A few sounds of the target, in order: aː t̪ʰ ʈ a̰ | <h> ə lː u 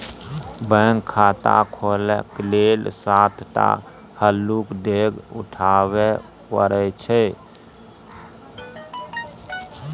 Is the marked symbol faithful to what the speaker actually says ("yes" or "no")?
yes